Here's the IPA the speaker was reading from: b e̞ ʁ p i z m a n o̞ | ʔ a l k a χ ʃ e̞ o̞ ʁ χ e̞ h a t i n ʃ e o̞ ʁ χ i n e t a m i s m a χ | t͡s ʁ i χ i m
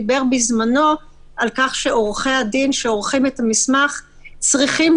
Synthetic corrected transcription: b e̞ ʁ b i z m a n o̞ | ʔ a l k a χ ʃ e̞ o̞ ʁ χ e̞ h a d i n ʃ e o̞ ʁ χ i m e t a m i s m a χ | t͡s ʁ i χ i m